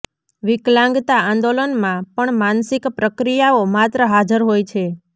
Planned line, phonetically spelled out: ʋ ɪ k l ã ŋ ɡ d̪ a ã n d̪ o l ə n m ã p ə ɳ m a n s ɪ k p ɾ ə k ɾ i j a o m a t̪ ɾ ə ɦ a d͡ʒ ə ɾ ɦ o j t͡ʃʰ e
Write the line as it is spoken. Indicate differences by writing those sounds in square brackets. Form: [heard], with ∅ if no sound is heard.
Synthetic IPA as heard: ʋ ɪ k l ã ŋ ɡ [t̪] a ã n d̪ o l ə n m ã p ə ɳ m a n s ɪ k p ɾ ə k ɾ i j a o m a t̪ ɾ ə ɦ a d͡ʒ ə ɾ ɦ o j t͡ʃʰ e